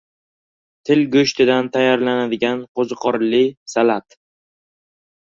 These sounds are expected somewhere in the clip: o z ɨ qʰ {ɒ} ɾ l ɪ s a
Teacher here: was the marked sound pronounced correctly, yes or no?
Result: yes